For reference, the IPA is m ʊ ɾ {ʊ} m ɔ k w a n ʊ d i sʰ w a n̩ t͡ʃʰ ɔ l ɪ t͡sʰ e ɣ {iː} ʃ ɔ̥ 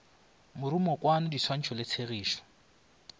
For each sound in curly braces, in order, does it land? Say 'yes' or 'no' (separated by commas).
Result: no, yes